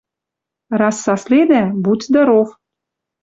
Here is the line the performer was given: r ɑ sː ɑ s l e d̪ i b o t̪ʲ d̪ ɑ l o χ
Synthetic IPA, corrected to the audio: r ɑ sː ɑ s l e d̪ æ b u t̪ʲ d̪ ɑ ɾ o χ